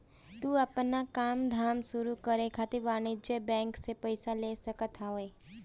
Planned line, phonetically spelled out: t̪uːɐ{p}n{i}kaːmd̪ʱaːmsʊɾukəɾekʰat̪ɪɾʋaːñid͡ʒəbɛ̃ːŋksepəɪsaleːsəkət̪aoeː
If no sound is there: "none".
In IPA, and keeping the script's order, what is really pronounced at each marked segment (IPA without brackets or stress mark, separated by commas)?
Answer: p, a